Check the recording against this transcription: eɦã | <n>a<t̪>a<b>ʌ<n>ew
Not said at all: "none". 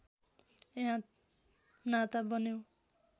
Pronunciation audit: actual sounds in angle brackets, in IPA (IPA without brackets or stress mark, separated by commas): n, t̪, b, n